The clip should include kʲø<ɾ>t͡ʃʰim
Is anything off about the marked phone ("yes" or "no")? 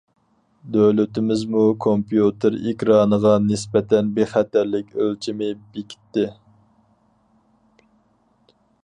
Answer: yes